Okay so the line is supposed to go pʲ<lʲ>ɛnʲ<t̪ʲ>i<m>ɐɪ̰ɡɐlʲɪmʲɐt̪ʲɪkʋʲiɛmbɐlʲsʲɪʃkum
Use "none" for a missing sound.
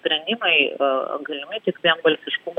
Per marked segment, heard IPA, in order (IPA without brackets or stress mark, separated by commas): ɾʲ, d̪ʲ, m